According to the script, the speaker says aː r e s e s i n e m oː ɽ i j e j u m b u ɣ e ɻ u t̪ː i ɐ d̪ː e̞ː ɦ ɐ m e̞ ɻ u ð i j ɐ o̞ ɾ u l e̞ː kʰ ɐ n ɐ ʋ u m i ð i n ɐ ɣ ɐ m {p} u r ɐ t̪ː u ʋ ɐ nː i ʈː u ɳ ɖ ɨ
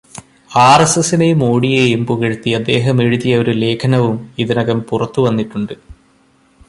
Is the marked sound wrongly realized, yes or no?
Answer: no